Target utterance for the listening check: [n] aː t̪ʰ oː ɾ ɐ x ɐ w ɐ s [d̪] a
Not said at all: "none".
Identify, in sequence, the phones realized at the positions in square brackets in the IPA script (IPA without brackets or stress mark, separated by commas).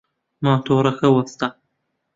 m, t̪